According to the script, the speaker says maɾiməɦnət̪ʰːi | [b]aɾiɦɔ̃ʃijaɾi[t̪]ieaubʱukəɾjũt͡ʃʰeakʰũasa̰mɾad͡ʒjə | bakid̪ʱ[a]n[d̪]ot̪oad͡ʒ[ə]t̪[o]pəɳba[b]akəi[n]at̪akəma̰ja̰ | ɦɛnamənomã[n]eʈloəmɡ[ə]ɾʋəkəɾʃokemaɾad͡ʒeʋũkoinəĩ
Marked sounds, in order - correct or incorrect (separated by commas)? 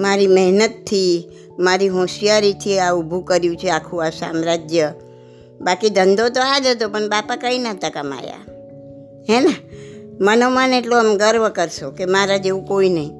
incorrect, incorrect, incorrect, correct, correct, correct, incorrect, correct, correct, correct